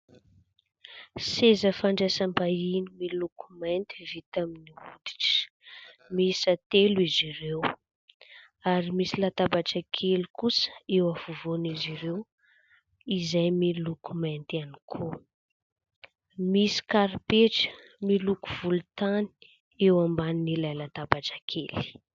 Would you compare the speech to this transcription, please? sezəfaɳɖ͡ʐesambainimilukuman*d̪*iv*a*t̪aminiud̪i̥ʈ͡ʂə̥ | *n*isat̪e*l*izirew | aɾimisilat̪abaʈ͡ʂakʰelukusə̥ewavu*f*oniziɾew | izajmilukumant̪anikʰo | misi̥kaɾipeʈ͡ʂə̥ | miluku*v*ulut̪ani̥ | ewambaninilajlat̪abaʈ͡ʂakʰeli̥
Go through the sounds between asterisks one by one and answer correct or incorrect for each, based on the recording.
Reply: incorrect: t̪, incorrect: i, incorrect: m, correct, incorrect: v, correct

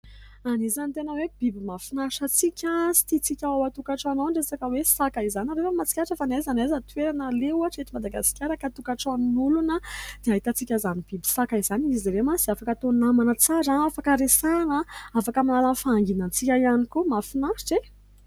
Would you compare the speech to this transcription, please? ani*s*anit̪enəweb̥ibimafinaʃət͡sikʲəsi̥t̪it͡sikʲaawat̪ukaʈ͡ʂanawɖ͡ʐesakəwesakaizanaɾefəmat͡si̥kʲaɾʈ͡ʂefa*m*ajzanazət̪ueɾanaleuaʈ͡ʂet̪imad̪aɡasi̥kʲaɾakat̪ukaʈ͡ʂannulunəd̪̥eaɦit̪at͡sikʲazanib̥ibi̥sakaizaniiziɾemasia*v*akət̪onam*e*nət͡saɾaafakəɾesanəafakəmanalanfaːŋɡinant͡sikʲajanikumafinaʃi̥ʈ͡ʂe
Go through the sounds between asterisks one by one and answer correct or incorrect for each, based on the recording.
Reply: incorrect: z, incorrect: n, incorrect: f, incorrect: a

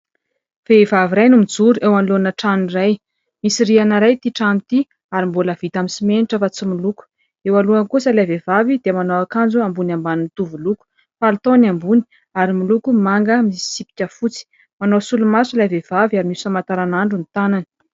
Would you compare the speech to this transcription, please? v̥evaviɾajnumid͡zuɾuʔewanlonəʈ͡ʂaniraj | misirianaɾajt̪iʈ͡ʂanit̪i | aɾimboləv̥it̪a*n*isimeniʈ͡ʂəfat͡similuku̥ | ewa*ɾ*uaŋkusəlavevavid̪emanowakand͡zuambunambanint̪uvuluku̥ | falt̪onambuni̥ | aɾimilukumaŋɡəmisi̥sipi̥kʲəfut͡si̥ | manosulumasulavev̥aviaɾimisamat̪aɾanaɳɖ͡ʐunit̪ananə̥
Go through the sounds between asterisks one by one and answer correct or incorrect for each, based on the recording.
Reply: incorrect: m, incorrect: l

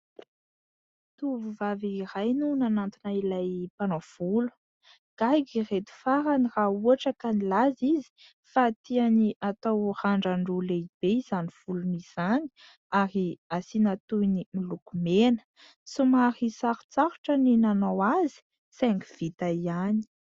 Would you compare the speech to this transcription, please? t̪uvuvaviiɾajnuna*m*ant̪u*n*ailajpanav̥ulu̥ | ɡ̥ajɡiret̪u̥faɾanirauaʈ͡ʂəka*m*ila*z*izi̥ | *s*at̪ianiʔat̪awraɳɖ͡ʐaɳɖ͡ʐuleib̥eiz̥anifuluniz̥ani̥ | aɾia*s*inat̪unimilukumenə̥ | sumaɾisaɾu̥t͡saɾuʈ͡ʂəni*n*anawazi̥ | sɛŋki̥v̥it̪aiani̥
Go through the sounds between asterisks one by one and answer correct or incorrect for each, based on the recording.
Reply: incorrect: n, correct, incorrect: n, correct, incorrect: f, correct, correct

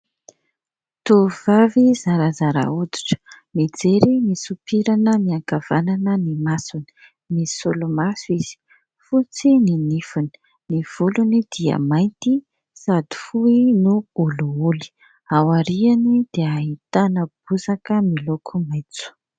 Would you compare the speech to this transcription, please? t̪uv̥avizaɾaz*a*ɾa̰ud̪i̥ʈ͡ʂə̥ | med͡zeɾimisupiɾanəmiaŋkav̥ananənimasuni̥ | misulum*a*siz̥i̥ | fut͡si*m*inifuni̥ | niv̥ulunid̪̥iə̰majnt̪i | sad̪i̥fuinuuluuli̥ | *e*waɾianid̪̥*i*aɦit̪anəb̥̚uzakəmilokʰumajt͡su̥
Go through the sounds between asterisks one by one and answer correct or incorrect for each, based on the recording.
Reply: correct, correct, incorrect: n, incorrect: a, incorrect: e

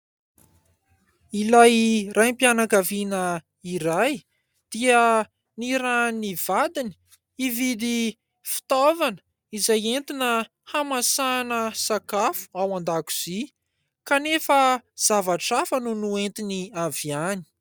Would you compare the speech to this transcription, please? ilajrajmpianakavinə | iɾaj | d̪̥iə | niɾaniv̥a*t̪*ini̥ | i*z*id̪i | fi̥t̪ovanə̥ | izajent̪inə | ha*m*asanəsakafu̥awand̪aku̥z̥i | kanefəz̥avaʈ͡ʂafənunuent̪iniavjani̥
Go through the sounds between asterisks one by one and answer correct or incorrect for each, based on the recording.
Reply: incorrect: d̪, incorrect: v, correct

